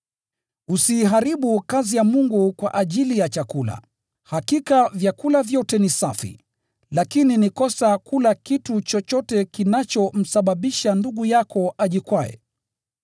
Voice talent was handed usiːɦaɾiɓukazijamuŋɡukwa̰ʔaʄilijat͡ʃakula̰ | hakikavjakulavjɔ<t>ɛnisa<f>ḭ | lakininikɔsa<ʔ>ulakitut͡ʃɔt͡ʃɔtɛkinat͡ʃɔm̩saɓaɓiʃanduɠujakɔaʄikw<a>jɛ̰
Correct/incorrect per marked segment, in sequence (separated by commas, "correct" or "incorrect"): correct, correct, incorrect, correct